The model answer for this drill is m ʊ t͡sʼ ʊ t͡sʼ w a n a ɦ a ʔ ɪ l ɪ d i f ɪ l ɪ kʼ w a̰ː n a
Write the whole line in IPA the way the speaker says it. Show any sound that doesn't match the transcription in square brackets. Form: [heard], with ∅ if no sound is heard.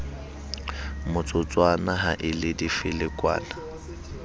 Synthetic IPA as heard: m ʊ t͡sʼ ʊ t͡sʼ w a n a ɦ a ʔ ɪ l ɪ d i f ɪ l ɪ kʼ w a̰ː n a

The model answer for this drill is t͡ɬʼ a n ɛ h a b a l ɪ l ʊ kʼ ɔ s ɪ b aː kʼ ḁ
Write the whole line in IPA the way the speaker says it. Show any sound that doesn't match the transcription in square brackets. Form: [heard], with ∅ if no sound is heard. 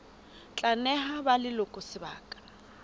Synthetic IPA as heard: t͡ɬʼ a n ɛ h a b a l ɪ l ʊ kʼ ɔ s ɪ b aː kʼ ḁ

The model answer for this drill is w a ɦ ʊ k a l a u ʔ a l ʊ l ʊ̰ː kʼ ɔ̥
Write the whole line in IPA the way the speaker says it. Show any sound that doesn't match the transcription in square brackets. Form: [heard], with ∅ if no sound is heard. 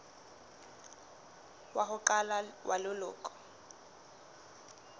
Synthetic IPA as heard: w a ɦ ʊ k a l a [w] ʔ a l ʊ l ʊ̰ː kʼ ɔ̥

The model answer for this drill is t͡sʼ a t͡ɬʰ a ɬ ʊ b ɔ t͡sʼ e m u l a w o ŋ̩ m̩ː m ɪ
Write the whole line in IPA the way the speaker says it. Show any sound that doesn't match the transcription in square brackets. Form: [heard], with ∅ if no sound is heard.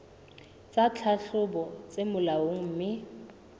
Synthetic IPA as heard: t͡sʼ a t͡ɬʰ a ɬ ʊ b ɔ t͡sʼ e m [ʊ] l a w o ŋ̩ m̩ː m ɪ

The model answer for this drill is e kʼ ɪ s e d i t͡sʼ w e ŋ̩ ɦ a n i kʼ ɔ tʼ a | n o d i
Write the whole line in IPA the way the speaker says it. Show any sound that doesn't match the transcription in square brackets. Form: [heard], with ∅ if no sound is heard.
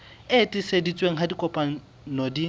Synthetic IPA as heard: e [tʼ] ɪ s e d i t͡sʼ w e ŋ̩ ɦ a [d] i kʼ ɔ [pʼ] a | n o d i

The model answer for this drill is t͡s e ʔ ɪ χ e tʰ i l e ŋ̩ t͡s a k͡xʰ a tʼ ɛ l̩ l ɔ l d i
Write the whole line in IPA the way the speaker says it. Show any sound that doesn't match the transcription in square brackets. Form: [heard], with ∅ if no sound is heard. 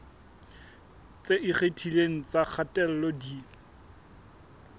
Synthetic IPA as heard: t͡s e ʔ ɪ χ e tʰ i l e ŋ̩ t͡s a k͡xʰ a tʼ ɛ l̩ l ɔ [∅] d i

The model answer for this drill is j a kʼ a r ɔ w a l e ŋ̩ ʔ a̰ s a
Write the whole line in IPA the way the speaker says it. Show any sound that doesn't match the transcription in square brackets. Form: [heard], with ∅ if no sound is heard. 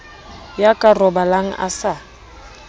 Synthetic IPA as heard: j a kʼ a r ɔ [b] a l [a] ŋ̩ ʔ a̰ s a

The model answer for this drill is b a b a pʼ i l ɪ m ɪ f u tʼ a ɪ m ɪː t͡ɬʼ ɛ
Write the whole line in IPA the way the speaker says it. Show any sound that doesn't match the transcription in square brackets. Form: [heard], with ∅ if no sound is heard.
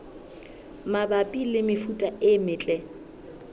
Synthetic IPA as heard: [m] a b a pʼ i l ɪ m ɪ f u tʼ a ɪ m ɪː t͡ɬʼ ɛ

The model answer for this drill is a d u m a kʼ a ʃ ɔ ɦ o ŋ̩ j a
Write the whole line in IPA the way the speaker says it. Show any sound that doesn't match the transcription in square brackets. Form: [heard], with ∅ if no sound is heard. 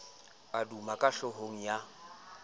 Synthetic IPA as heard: a d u m a kʼ a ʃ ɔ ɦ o ŋ̩ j a

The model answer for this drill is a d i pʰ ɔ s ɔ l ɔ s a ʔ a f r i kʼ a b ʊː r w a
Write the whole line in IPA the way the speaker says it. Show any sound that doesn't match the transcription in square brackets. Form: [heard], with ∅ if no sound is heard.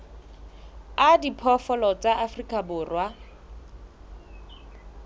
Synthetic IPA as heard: a d i pʰ ɔ [f] ɔ l ɔ [t͡s] a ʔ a f r i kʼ a b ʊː r w a

